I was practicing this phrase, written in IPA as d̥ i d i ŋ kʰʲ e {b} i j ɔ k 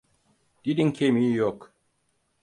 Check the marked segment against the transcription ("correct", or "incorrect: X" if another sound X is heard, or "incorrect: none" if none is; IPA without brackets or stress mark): incorrect: m